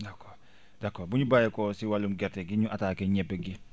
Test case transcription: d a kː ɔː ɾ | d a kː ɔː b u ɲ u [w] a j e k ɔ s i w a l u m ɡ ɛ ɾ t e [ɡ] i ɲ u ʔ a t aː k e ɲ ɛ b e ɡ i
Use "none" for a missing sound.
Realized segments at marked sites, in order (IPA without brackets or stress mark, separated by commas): b, ɡ